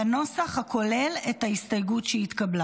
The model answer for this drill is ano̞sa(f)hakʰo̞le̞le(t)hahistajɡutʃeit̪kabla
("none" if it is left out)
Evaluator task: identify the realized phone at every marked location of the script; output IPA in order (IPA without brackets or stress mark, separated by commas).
χ, t